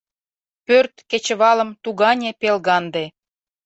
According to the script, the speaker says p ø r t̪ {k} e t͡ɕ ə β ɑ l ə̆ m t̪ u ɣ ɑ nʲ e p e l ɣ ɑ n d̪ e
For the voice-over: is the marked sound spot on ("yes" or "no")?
yes